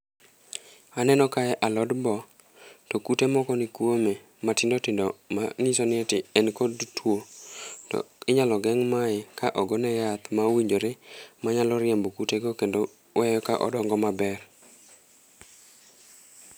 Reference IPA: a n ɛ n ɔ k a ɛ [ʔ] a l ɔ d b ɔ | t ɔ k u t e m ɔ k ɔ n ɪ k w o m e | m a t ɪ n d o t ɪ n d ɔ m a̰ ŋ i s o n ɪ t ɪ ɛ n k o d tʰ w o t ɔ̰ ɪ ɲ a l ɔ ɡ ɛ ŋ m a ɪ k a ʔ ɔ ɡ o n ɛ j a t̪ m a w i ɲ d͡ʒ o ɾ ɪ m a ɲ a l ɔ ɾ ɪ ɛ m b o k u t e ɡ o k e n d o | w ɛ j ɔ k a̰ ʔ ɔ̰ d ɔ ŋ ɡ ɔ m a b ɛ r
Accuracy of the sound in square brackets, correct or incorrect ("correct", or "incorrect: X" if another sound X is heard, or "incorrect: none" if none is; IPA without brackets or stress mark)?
correct